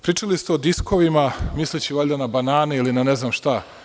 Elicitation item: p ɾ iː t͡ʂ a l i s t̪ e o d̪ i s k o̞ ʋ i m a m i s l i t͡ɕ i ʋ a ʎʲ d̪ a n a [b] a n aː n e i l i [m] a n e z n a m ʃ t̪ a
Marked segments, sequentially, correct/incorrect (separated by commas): correct, incorrect